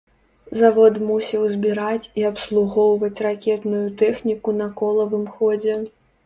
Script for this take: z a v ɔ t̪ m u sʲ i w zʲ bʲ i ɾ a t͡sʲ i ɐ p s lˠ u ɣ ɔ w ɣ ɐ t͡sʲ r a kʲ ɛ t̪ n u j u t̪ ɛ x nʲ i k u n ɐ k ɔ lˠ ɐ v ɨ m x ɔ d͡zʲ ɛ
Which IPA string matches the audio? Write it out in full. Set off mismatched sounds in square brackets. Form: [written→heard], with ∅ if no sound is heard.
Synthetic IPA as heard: z a v ɔ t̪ m u sʲ i w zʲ bʲ i ɾ a t͡sʲ i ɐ p s lˠ u ɣ ɔ w [ɣ→v] ɐ t͡sʲ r a kʲ ɛ t̪ n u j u t̪ ɛ x nʲ i k u n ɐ k ɔ lˠ ɐ v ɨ m x ɔ d͡zʲ ɛ